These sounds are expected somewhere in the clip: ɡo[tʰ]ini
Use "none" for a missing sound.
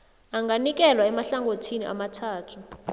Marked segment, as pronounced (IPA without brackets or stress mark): tʰ